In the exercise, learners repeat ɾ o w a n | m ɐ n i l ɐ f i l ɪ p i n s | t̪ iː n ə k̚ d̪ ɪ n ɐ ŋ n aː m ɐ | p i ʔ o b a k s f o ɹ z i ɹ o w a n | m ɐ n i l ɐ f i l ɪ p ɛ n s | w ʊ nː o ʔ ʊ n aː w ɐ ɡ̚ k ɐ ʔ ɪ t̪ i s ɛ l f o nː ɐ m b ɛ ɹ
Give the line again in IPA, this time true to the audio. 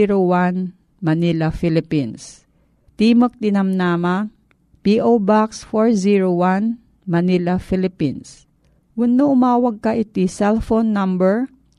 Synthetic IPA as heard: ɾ o w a n | m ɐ n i l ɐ f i l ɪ p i n s | t̪ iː m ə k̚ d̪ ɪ n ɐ m n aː m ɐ | p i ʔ o b a k s f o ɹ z i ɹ o w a n | m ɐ n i l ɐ f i l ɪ p i n s | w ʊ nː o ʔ ʊ m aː w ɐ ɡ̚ k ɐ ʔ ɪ t̪ i s ɛ l f o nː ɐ m b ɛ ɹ